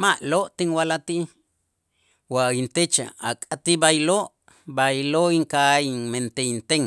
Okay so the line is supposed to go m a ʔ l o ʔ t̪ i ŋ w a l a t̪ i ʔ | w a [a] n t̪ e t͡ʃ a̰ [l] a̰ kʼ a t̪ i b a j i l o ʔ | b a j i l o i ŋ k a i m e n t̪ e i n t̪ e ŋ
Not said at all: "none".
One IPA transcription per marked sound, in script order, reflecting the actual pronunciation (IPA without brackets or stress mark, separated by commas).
i, none